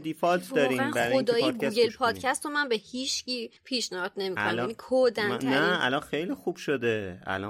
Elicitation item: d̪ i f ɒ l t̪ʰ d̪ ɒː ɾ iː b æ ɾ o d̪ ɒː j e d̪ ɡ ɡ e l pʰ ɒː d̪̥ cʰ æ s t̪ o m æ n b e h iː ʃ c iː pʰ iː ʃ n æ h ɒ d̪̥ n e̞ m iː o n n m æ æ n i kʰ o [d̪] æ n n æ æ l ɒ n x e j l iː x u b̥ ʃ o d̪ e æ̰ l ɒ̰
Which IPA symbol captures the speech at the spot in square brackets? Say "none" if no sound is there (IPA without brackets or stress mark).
d̪